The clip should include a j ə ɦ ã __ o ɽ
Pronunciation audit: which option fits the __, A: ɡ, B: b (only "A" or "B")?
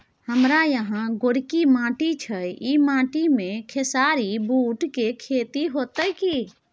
A